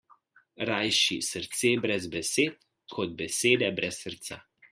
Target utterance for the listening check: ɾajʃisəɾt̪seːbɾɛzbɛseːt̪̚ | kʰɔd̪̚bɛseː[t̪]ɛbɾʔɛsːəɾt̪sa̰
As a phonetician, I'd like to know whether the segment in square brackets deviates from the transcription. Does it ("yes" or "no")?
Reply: yes